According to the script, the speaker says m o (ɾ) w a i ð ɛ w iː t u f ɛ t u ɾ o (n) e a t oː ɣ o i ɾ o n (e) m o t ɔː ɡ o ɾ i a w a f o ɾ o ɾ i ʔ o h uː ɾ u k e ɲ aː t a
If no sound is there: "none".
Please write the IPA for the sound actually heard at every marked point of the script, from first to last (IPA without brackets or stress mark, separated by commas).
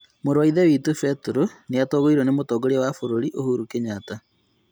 ɾ, n, e